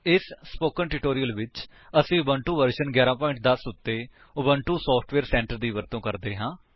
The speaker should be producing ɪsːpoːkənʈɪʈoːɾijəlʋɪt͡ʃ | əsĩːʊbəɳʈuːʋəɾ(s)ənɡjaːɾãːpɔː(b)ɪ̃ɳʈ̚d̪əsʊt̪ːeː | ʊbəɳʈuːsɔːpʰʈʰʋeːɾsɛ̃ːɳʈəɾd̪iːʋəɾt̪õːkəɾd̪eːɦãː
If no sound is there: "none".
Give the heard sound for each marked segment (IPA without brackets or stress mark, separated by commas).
ʃ, none